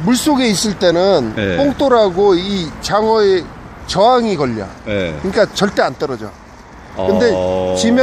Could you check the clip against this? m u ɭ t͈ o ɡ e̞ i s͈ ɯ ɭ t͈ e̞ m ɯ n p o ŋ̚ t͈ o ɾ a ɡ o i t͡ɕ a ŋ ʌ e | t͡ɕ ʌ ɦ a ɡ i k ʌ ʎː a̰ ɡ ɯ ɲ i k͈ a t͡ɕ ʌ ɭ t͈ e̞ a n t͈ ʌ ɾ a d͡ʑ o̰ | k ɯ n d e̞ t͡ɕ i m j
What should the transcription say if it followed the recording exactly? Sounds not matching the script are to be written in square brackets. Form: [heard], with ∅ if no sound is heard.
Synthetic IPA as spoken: m u ɭ [s͈] o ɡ e̞ i s͈ ɯ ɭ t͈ e̞ [n] ɯ n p o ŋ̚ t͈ o ɾ a ɡ o i t͡ɕ a ŋ ʌ e | t͡ɕ ʌ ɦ a [ŋ] i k ʌ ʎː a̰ [k] ɯ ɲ i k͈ a t͡ɕ ʌ ɭ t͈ e̞ a n t͈ ʌ ɾ [ʌ] d͡ʑ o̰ | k ɯ n d e̞ t͡ɕ i m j